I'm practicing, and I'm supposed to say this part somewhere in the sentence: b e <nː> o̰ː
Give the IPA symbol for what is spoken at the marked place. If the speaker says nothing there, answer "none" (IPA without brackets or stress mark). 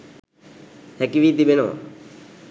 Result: n